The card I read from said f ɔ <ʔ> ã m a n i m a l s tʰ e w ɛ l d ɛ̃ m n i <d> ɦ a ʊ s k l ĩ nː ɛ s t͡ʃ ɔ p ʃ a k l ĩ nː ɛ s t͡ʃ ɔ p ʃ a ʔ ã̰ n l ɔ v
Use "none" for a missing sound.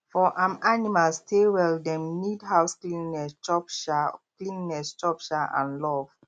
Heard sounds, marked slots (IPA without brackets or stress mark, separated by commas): ʔ, d